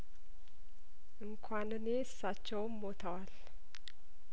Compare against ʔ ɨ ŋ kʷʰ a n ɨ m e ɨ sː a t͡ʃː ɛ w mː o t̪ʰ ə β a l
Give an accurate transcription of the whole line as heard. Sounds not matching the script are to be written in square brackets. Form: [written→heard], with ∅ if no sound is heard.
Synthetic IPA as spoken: ʔ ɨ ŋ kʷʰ a n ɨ [m→n] e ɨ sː a t͡ʃː ɛ w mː o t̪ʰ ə [β→w] a l